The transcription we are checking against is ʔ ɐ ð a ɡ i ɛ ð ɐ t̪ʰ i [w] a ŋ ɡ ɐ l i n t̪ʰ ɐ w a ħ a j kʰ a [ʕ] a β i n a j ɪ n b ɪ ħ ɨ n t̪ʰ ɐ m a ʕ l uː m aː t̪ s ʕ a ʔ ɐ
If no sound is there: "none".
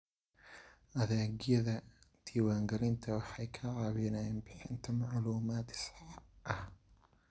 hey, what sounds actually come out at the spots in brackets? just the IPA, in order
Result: w, ʕ

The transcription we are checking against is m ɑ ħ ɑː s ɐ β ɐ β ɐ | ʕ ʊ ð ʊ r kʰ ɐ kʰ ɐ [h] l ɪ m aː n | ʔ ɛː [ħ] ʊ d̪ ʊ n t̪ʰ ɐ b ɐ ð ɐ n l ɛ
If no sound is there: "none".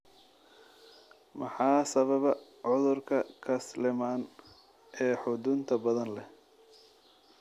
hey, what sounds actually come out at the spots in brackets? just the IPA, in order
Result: s, ħ

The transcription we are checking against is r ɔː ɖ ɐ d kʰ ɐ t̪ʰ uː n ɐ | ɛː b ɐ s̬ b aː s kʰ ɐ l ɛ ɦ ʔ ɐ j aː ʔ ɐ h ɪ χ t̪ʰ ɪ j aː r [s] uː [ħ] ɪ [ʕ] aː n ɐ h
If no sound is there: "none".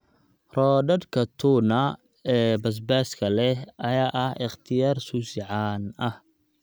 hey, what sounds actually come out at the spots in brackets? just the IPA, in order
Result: s, s, ʕ

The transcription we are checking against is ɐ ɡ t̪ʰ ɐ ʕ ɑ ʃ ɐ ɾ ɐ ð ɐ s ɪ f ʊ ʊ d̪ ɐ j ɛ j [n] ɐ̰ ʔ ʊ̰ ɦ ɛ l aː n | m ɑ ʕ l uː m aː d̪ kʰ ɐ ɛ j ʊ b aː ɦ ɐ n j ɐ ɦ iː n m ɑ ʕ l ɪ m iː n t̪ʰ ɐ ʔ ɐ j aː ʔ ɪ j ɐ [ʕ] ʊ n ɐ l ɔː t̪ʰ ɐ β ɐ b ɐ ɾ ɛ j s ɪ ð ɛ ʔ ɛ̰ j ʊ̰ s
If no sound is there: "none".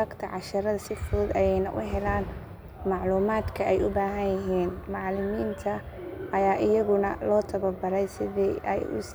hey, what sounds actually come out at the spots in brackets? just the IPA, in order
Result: n, ɣ

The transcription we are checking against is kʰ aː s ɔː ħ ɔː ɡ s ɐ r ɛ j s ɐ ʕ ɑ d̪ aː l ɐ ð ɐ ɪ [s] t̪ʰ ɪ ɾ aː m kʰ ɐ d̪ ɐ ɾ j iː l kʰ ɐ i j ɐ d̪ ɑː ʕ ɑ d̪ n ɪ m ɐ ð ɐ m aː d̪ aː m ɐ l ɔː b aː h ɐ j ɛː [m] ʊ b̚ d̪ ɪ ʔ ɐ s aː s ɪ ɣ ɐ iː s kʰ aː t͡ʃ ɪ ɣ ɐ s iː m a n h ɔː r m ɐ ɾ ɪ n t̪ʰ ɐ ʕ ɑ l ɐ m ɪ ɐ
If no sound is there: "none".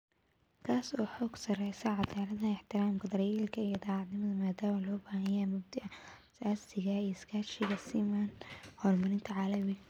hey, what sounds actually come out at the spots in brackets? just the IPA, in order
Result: ħ, m

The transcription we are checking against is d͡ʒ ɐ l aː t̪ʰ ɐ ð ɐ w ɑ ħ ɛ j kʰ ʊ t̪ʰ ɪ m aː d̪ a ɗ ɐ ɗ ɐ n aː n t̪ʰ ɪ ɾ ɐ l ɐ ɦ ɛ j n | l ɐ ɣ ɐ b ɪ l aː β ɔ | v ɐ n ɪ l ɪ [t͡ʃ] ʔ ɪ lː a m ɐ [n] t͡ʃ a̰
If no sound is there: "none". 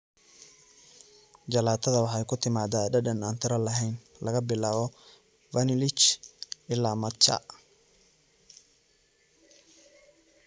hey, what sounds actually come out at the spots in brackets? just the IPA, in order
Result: t͡ʃ, none

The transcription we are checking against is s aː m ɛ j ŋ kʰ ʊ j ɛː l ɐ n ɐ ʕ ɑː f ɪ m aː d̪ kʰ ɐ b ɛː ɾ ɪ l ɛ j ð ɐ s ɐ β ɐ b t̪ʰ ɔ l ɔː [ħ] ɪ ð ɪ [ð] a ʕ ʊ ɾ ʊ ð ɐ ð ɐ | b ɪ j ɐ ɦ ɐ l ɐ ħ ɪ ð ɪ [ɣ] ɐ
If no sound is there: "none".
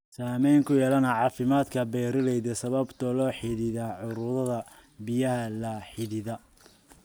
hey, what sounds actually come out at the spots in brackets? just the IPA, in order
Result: ħ, ð, ð

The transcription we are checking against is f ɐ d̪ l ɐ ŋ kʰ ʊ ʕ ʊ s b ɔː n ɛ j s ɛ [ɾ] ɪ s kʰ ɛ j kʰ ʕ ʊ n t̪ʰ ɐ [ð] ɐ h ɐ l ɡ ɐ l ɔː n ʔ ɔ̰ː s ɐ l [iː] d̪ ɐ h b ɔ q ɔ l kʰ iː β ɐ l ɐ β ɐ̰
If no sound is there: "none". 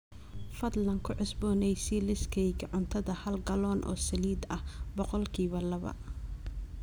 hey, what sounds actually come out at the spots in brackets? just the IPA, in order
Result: l, ð, iː

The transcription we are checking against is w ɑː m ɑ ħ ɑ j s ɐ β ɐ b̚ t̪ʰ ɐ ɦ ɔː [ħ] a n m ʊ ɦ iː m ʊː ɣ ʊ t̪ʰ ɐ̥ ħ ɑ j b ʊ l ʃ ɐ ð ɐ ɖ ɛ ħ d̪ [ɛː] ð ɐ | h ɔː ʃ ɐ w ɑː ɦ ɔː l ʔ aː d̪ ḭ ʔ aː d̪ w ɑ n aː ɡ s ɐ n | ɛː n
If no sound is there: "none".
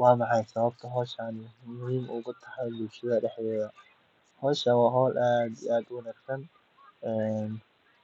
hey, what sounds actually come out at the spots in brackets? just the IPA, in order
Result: ʃ, ɛː

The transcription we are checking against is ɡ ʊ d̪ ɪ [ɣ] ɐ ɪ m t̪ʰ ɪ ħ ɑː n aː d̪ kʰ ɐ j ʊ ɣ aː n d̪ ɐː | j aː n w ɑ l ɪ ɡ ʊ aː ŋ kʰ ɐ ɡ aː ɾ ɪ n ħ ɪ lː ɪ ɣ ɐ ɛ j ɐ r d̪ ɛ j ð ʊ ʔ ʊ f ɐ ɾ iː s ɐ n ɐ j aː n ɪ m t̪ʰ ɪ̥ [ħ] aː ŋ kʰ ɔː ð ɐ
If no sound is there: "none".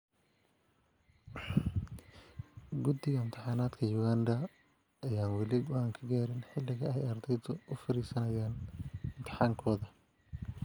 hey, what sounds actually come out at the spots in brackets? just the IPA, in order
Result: ɣ, ħ

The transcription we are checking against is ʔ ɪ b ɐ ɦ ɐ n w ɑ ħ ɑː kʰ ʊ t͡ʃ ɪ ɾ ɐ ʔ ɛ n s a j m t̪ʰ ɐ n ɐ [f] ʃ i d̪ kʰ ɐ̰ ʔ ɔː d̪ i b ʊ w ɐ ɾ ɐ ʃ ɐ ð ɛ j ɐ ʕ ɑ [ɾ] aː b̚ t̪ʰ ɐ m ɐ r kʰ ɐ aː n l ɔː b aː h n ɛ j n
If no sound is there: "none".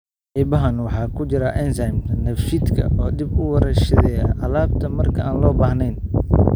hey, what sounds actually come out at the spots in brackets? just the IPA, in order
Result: f, l

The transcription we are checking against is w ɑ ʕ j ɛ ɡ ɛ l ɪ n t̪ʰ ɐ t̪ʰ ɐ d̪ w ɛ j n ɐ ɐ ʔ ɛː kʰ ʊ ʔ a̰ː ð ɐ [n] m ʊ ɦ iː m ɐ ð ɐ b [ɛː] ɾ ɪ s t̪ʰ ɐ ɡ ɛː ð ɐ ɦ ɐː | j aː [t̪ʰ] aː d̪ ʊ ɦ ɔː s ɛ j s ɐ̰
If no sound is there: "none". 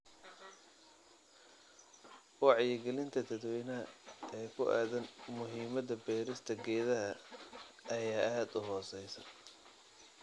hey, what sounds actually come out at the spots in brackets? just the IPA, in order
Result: n, ɛː, none

